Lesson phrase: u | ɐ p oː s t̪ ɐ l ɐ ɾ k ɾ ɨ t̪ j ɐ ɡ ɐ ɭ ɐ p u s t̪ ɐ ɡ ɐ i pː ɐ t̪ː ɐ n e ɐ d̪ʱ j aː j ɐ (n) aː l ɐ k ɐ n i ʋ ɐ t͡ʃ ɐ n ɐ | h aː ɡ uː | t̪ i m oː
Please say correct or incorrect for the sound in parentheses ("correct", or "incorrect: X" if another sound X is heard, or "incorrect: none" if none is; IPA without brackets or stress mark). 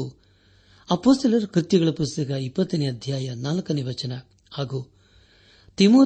correct